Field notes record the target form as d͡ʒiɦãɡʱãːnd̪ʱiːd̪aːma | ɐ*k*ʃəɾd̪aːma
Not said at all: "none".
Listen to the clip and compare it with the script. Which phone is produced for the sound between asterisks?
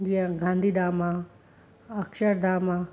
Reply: k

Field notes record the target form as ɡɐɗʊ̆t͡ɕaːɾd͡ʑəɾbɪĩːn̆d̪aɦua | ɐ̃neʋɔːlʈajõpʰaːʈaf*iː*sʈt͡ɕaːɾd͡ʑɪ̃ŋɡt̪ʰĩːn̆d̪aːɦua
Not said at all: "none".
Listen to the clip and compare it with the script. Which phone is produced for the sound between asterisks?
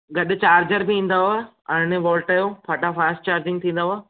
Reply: aː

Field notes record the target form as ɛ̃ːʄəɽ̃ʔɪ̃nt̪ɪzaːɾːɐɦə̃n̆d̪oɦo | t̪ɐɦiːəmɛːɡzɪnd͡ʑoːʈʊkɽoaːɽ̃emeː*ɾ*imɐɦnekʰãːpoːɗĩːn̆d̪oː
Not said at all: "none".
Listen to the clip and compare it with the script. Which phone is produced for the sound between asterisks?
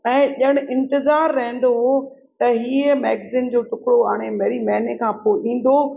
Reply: ɾ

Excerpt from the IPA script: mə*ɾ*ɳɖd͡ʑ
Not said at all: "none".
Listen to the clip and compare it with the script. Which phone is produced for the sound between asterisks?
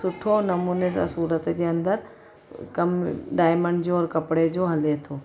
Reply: none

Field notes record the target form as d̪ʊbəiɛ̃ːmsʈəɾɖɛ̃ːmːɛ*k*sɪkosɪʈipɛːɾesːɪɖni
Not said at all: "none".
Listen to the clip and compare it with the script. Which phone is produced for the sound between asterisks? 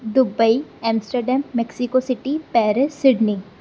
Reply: k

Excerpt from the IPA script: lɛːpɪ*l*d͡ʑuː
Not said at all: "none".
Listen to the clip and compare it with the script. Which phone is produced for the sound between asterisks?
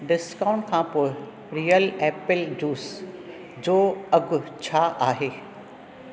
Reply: l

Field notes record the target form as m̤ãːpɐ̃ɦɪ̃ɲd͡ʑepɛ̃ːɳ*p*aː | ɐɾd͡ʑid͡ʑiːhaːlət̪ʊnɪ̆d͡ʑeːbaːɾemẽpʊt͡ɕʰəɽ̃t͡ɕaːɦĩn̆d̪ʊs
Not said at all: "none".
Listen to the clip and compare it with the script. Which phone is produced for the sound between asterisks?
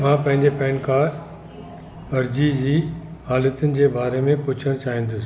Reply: k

